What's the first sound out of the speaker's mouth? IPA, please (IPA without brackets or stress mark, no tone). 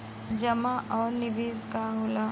d͡ʒ